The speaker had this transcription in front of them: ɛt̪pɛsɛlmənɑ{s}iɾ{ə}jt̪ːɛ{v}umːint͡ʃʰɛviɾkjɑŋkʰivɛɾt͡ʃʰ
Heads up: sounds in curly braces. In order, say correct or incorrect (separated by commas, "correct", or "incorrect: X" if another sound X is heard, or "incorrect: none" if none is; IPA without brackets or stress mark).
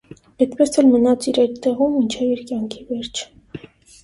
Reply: incorrect: t͡s, incorrect: ɑ, incorrect: ʁ